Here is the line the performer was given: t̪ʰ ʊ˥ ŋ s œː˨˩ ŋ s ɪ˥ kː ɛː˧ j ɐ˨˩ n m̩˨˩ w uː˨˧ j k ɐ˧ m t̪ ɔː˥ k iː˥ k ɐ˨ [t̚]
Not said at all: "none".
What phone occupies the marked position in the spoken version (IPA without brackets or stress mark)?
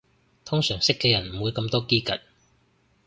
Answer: t̚